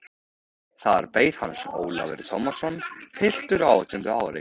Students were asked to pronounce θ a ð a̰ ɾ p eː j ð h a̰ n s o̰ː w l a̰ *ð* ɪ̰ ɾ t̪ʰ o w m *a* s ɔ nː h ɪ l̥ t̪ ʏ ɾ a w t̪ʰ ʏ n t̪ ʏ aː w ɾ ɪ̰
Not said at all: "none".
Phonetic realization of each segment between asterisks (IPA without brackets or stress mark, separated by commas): v, a